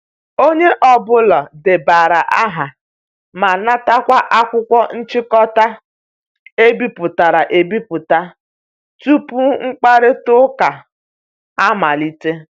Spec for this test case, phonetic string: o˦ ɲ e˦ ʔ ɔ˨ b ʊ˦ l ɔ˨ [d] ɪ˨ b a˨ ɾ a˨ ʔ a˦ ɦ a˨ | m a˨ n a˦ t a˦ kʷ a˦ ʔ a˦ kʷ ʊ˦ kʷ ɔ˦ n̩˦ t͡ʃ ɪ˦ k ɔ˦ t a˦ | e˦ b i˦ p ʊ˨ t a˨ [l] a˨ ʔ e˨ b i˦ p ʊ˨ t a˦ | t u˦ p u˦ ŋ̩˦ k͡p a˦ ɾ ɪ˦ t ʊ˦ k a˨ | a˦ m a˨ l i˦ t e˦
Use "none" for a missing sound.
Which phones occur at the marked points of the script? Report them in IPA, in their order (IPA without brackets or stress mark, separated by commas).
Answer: d, ɾ